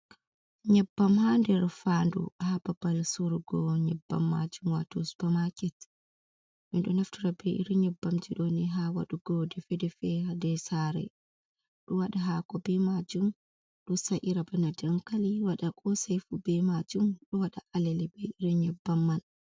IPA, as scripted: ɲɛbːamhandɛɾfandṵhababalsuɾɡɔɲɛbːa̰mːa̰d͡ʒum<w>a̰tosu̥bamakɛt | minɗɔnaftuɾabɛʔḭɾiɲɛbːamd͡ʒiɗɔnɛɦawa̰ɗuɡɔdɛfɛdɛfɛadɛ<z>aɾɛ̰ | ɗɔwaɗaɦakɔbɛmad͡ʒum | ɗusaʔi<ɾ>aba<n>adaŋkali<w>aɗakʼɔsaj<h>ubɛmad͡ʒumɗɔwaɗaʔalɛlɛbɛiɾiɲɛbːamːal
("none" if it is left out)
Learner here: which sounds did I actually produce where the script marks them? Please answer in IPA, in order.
w, s, ɾ, n, w, f

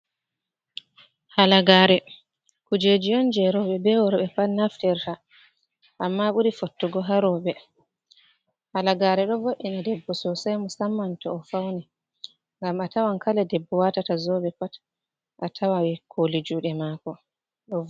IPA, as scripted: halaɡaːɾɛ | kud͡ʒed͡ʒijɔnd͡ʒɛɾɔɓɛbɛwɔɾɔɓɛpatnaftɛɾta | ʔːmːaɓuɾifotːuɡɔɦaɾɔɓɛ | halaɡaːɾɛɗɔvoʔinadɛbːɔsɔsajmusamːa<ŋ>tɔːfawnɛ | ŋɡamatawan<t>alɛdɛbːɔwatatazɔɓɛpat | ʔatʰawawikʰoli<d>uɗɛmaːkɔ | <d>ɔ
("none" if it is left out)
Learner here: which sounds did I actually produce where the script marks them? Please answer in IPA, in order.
n, k, d͡ʒ, ɗ

